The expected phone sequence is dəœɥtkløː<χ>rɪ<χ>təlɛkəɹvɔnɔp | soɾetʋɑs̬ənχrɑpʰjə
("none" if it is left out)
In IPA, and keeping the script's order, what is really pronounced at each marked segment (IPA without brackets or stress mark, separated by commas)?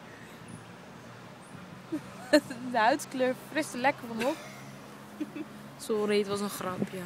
f, s